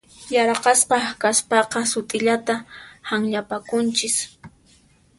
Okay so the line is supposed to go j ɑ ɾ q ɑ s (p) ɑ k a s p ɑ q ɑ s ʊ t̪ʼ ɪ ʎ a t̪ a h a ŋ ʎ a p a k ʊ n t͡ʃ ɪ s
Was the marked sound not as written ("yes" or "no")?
yes